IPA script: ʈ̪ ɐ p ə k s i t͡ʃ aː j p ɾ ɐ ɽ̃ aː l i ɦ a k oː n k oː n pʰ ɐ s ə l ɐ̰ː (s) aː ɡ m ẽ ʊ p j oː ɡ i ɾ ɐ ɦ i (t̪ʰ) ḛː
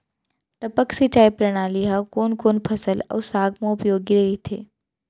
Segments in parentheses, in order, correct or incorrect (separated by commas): correct, correct